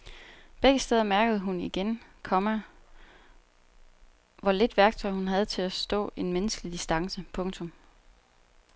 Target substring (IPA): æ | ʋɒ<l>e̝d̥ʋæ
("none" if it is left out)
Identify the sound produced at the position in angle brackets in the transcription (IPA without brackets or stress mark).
l